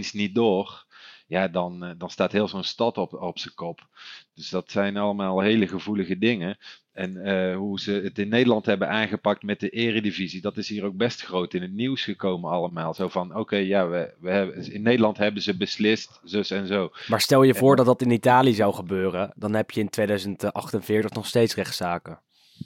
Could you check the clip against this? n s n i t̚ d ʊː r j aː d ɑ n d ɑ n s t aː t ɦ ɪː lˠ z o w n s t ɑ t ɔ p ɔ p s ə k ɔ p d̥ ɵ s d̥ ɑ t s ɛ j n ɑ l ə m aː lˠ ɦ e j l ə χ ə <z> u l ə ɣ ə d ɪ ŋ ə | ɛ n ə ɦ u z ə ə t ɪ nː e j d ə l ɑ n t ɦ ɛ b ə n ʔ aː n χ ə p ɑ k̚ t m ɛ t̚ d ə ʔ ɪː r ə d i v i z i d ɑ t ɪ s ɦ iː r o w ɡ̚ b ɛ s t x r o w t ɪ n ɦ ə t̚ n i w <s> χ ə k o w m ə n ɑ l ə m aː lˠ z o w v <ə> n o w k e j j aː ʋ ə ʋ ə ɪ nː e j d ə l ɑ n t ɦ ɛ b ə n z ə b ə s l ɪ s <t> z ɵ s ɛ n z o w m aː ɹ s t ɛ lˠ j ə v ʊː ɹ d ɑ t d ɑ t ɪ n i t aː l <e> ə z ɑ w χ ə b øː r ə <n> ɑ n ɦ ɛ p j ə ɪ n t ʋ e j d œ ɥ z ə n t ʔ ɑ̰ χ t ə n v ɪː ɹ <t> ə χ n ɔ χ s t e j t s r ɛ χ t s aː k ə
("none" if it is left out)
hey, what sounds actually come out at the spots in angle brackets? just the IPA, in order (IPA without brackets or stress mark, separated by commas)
v, s, ɑ, t, i, d, t